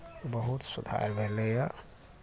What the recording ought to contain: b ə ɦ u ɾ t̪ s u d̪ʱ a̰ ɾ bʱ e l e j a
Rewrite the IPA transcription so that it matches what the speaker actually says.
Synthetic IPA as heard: b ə ɦ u t̪ s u d̪ʱ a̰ ɾ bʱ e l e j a